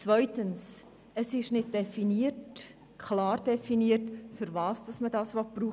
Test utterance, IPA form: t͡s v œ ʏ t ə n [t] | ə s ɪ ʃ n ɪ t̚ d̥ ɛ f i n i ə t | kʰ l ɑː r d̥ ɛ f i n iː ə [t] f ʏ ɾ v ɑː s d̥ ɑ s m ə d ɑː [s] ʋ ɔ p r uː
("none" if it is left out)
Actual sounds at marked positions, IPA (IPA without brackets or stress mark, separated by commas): s, t, s